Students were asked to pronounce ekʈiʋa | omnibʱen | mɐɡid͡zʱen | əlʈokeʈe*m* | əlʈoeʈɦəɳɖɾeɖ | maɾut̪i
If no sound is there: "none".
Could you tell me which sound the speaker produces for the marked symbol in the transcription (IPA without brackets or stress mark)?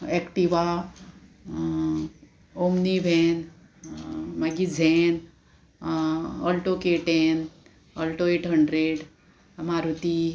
n